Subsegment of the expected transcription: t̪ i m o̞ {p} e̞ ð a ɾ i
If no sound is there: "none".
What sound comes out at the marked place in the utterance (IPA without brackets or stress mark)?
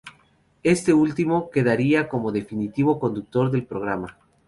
k